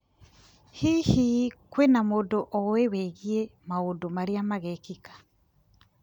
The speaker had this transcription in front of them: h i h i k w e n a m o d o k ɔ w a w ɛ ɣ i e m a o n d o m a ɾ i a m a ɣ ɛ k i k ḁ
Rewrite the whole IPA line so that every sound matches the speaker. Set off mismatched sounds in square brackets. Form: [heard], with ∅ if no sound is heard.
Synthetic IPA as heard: h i h i k w e n a m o d o [ʔ] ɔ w [e] w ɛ ɣ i e m a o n d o m a ɾ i a m a ɣ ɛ k i k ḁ